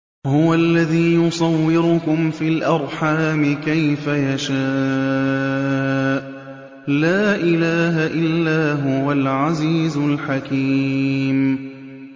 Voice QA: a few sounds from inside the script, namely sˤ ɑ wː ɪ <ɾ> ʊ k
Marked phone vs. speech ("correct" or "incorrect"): correct